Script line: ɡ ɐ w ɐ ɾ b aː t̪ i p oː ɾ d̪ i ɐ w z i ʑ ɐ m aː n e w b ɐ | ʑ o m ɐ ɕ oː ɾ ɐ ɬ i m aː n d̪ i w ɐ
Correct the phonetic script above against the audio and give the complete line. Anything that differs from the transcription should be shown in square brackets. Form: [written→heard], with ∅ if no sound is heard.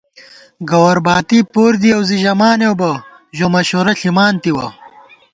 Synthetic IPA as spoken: ɡ ɐ w ɐ ɾ b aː t̪ i p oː ɾ d̪ i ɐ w z i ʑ ɐ m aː n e w b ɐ | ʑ o m ɐ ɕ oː ɾ ɐ ɬ i m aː n [d̪→t̪] i w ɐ

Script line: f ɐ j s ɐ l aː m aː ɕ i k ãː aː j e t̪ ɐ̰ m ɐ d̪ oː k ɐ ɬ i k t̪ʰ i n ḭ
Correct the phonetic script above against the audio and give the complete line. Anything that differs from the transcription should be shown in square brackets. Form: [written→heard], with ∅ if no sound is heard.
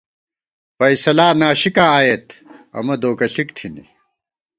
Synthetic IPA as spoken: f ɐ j s ɐ l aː [m→n] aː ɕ i k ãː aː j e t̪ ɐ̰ m ɐ d̪ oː k ɐ ɬ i k t̪ʰ i n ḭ

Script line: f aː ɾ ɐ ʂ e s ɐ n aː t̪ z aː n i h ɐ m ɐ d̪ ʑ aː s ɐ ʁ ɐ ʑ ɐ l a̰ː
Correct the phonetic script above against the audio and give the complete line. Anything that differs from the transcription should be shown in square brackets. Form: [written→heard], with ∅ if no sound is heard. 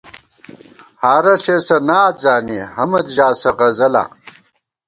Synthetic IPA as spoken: [f→h] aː ɾ ɐ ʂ e s ɐ n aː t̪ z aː n i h ɐ m ɐ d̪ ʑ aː s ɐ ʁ ɐ [ʑ→z] ɐ l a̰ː

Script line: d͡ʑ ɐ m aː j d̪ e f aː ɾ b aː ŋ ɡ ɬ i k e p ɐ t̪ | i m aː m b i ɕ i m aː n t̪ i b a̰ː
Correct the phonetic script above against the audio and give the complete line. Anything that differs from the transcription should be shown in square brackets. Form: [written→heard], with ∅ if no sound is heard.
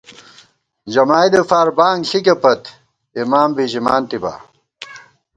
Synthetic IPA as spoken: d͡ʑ ɐ m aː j d̪ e f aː ɾ b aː ŋ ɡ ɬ i k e p ɐ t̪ | i m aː m b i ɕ i m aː n t̪ i b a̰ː

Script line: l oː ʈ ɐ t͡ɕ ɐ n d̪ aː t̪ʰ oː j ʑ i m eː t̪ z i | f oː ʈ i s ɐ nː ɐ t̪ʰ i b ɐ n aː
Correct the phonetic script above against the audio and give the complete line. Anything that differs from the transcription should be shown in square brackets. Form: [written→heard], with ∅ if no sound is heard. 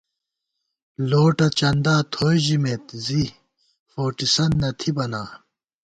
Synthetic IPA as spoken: l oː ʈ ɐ t͡ɕ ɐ n d̪ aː t̪ʰ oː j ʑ i m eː t̪ z i | f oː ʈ i s ɐ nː ɐ t̪ʰ i b ɐ n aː

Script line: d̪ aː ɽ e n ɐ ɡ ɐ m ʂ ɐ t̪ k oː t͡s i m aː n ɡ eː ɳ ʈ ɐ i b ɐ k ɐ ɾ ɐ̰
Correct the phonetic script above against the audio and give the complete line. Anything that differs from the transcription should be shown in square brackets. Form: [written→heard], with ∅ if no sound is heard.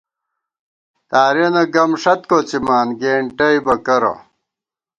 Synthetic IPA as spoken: [d̪→t̪] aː [ɽ→ɾ] e n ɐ ɡ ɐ m ʂ ɐ t̪ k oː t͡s i m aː n ɡ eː ɳ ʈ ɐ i b ɐ k ɐ ɾ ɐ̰

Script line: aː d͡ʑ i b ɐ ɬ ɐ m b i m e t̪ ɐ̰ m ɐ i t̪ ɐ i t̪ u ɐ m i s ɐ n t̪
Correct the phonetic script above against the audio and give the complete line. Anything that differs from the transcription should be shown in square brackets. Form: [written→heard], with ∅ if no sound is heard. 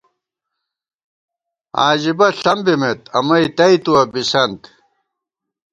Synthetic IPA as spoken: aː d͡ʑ i b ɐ ɬ ɐ m b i m e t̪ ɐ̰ m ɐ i t̪ ɐ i t̪ u ɐ [m→b] i s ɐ n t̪

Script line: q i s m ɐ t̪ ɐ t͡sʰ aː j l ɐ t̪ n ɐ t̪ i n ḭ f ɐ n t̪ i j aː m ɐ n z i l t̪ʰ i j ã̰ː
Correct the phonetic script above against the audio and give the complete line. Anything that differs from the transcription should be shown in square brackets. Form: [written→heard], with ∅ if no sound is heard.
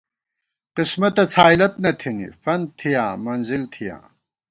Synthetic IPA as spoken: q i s m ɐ t̪ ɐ t͡sʰ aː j l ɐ t̪ n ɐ [t̪→t̪ʰ] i n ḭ f ɐ n [t̪→t̪ʰ] i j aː m ɐ n z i l t̪ʰ i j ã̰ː

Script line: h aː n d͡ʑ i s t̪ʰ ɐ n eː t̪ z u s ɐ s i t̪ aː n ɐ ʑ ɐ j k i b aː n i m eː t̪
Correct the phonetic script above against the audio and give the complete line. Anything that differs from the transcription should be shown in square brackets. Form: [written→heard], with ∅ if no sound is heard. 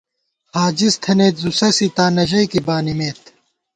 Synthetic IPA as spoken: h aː [n→∅] d͡ʑ i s t̪ʰ ɐ n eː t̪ z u s ɐ s i t̪ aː n ɐ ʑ ɐ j k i b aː n i m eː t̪

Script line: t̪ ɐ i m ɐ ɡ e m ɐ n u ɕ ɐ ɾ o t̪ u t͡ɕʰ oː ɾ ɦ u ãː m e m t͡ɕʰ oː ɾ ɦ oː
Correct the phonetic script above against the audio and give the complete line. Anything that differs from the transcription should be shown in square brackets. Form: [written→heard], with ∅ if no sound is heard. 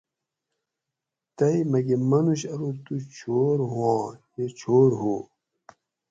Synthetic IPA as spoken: t̪ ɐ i m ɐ ɡ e m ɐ n u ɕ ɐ ɾ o t̪ u t͡ɕʰ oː ɾ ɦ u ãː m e [m→∅] t͡ɕʰ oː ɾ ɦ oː

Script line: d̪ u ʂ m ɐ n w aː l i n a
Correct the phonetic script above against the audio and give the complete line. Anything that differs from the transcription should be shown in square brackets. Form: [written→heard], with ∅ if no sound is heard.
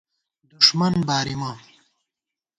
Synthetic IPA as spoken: d̪ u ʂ m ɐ n [w→b] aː [l→ɾ] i [n→m] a

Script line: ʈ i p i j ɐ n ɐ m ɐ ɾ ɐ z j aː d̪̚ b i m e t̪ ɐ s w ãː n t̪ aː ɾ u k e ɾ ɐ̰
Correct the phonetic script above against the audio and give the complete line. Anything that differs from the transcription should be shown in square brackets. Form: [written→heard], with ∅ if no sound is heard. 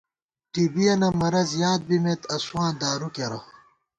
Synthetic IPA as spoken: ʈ i [p→b] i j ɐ n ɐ m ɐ ɾ ɐ z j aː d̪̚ b i m e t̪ ɐ s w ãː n [t̪→d̪] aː ɾ u k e ɾ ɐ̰

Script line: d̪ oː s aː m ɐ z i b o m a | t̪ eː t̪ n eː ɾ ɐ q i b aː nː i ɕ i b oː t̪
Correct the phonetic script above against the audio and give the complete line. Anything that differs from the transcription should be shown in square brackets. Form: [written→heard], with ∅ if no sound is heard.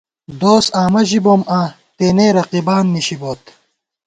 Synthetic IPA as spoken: d̪ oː s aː m ɐ [z→ʑ] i b o m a | t̪ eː [t̪→∅] n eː ɾ ɐ q i b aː nː i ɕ i b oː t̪

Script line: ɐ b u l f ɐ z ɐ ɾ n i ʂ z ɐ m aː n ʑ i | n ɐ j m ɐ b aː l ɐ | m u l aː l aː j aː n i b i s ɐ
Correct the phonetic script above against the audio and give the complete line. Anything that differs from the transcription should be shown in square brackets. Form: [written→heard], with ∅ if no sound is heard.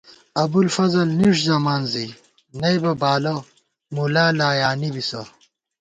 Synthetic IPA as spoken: ɐ b u l f ɐ z ɐ [ɾ→l] n i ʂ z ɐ m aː n [ʑ→z] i | n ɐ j [m→b] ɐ b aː l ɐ | m u l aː l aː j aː n i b i s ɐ

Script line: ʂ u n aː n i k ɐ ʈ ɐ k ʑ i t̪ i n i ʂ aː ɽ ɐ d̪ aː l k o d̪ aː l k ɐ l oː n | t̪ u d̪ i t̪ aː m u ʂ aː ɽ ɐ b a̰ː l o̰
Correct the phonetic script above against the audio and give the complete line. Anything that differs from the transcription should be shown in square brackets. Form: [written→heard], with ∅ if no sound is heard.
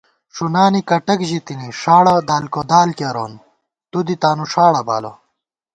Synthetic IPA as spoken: ʂ u n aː n i k ɐ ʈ ɐ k ʑ i t̪ i n i ʂ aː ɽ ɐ d̪ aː l k o d̪ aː l k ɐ [l→ɾ] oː n | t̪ u d̪ i t̪ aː [m→n] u ʂ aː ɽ ɐ b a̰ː l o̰

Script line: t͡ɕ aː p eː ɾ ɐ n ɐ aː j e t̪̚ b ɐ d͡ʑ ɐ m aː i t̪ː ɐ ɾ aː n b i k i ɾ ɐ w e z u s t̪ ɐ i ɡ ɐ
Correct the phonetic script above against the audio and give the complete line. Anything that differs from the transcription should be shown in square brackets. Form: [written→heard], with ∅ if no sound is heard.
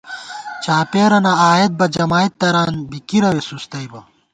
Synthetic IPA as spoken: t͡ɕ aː p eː ɾ ɐ n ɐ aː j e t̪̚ b ɐ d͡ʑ ɐ m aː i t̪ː ɐ ɾ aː n b i k i ɾ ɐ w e [z→s] u s t̪ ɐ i [ɡ→b] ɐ

